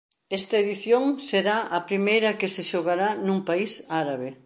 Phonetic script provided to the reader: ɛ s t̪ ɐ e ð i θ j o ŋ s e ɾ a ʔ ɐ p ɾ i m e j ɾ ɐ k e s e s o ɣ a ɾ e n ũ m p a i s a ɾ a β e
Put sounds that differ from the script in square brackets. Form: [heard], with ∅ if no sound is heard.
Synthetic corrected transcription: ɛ s t̪ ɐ e ð i θ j o ŋ s e ɾ a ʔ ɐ p ɾ i m e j ɾ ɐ k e s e [ʃ] o ɣ a ɾ [a] n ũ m p a i s a ɾ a β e